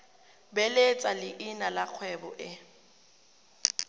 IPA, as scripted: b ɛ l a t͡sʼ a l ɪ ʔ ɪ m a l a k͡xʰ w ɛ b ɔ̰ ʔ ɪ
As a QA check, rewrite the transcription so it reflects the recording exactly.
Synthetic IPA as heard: b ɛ l e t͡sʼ a l ɪ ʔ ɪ n a l a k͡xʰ w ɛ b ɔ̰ ʔ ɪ